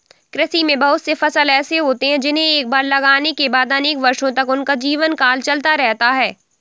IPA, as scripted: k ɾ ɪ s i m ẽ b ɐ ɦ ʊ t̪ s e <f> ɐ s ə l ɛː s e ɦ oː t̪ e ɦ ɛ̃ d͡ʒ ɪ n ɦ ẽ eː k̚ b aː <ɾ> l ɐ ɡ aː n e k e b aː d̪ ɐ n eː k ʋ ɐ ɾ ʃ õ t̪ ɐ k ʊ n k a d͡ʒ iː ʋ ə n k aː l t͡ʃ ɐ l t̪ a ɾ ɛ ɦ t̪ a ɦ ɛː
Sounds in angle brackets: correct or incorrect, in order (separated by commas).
correct, correct